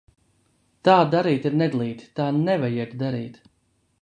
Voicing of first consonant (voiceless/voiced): voiceless